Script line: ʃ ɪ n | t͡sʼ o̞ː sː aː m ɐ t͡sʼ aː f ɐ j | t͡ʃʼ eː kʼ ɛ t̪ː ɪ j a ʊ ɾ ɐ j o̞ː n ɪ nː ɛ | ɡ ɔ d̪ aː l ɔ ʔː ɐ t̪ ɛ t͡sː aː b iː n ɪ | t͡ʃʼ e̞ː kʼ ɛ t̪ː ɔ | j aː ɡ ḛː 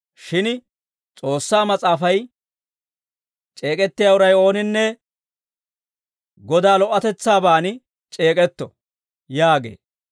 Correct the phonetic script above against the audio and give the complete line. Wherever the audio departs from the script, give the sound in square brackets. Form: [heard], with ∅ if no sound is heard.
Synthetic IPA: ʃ ɪ n | t͡sʼ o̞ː sː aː m ɐ t͡sʼ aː f ɐ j | t͡ʃʼ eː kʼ ɛ t̪ː ɪ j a ʊ ɾ ɐ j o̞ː n ɪ nː ɛ | ɡ ɔ d̪ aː l ɔ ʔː ɐ t̪ ɛ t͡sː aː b [aː] n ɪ | t͡ʃʼ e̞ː kʼ ɛ t̪ː ɔ | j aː ɡ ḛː